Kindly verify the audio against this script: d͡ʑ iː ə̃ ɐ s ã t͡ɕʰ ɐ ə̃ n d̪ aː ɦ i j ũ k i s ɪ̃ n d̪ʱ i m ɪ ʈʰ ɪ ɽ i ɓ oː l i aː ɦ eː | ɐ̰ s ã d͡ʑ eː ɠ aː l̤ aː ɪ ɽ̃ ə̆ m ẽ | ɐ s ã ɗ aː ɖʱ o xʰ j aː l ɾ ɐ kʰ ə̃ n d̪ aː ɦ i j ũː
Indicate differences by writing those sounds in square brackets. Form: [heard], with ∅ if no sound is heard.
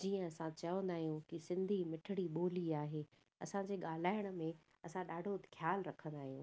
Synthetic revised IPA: d͡ʑ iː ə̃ ɐ s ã [t͡ɕ] ɐ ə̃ n d̪ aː ɦ i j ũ k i s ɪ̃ n d̪ʱ i m ɪ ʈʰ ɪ ɽ i ɓ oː l i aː ɦ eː | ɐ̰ s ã d͡ʑ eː ɠ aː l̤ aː ɪ ɽ̃ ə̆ m ẽ | ɐ s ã ɗ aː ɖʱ o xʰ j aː l ɾ ɐ kʰ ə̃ n d̪ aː ɦ i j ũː